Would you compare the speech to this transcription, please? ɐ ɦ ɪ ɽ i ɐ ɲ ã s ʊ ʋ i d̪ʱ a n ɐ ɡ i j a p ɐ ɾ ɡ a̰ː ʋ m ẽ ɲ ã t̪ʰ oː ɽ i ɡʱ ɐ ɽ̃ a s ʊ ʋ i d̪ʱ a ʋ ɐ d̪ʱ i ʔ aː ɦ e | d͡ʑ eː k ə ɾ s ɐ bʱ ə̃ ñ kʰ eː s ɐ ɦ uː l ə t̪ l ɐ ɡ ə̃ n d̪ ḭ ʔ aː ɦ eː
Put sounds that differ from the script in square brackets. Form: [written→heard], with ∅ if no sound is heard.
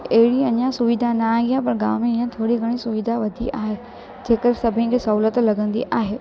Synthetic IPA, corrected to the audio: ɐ ɦ ɪ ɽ i ɐ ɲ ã s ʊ ʋ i d̪ʱ a n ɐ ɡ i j a p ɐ ɾ ɡ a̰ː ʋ m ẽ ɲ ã t̪ʰ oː ɽ i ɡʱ ɐ ɽ̃ [a→i] s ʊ ʋ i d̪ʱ a ʋ ɐ d̪ʱ i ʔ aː ɦ e | d͡ʑ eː k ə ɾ s ɐ bʱ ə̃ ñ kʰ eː s ɐ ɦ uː l ə t̪ l ɐ ɡ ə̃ n d̪ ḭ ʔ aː ɦ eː